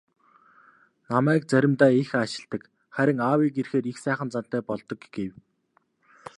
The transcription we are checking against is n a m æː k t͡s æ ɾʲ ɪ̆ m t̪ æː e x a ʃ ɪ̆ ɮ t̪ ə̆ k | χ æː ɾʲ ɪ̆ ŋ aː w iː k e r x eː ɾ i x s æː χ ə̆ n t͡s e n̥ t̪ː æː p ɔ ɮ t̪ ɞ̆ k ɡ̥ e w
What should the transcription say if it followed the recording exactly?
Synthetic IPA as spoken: n a m æː k t͡s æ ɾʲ ɪ̆ m t̪ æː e x a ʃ ɪ̆ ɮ t̪ ə̆ k | χ æ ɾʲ ɪ̆ ŋ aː w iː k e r x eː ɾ i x s æː χ ə̆ n t͡s a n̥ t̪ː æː p ɔ ɮ t̪ ɞ̆ k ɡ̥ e w